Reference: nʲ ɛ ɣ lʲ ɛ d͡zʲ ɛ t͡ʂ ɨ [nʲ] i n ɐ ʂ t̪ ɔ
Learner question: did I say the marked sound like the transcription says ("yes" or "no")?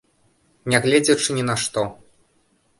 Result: yes